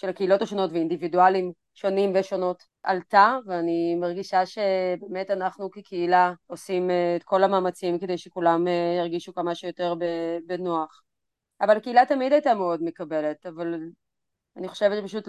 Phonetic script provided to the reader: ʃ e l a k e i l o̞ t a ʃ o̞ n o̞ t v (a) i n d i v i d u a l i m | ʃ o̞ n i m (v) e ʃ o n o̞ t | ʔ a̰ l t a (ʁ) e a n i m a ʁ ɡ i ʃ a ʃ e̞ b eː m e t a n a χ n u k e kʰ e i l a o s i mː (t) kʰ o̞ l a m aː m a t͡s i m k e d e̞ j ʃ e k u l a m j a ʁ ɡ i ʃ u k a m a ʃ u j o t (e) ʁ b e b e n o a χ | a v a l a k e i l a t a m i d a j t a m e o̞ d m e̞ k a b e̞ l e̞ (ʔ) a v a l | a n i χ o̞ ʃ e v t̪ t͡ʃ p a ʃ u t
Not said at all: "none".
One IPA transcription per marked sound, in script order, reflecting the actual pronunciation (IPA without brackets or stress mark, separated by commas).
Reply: e, v, v, t, e, t